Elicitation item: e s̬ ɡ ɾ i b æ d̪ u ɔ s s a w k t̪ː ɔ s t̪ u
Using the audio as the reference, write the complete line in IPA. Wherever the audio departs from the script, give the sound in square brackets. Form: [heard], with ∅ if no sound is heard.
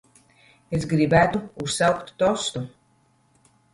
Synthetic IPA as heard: e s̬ ɡ ɾ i b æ [t̪] u [u] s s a w k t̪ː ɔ s t̪ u